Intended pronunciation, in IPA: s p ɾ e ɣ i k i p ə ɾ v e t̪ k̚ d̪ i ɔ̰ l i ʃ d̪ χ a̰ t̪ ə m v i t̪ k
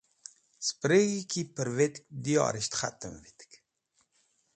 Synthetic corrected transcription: s p ɾ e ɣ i k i p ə ɾ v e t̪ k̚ d̪ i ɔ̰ ɾ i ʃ t̪ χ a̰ t̪ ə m v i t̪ k